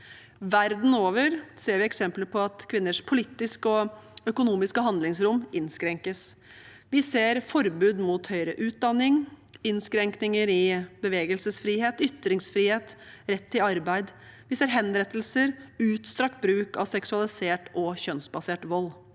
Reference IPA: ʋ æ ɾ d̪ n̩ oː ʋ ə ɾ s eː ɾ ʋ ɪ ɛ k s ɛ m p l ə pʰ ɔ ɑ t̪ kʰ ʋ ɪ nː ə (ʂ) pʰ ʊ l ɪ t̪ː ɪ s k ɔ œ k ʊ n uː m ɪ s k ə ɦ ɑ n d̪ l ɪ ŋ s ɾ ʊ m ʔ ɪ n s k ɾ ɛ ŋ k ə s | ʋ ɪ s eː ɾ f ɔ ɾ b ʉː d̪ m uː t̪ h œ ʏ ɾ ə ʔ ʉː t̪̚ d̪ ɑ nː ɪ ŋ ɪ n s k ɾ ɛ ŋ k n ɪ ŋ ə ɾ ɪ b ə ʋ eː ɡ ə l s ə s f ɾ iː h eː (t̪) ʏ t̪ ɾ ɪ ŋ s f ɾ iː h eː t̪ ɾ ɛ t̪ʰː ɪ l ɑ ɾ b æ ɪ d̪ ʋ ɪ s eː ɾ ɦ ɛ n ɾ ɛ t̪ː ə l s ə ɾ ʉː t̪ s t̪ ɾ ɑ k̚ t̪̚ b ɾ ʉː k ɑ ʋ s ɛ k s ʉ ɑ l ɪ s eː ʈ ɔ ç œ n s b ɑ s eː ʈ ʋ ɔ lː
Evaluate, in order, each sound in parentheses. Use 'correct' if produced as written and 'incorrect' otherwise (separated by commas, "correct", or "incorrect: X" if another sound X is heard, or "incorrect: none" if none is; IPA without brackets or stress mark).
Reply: correct, correct